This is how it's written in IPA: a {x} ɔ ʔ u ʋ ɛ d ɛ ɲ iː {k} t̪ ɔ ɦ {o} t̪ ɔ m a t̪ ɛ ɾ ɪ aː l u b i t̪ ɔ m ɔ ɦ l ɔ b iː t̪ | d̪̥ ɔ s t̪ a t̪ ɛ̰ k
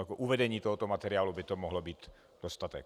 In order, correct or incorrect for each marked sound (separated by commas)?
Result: incorrect, incorrect, incorrect